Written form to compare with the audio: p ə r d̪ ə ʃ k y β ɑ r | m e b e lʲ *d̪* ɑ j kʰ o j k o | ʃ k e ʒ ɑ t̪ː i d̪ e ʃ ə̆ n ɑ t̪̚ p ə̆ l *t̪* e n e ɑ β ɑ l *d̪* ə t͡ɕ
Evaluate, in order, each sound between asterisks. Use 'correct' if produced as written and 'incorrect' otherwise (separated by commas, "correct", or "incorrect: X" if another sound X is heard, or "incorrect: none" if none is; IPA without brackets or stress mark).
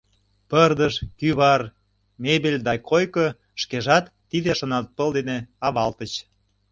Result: correct, incorrect: d̪, incorrect: t̪